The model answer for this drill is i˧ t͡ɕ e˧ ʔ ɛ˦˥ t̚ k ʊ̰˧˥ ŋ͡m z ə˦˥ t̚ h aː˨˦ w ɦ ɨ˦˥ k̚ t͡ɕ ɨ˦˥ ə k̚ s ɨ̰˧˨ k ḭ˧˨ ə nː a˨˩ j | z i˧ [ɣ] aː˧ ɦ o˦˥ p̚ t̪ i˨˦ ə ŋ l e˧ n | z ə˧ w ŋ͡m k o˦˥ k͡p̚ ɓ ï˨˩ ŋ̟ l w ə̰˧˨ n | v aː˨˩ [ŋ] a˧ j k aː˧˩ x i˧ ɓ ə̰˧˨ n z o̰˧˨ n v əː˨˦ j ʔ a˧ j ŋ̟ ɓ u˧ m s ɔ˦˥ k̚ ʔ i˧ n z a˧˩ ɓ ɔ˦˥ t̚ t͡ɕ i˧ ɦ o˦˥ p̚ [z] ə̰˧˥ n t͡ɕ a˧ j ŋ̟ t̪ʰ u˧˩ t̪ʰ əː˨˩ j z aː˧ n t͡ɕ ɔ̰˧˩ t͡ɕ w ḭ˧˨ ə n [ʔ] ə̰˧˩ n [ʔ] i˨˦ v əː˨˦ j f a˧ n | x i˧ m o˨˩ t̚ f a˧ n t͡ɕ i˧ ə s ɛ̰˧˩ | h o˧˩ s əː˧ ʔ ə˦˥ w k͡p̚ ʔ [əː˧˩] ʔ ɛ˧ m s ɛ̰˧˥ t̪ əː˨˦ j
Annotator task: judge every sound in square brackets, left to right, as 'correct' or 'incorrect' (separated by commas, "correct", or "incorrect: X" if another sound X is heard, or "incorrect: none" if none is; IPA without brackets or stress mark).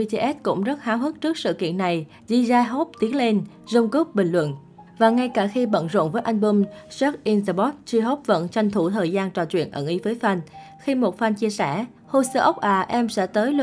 incorrect: z, correct, incorrect: v, correct, correct, incorrect: aː˧˩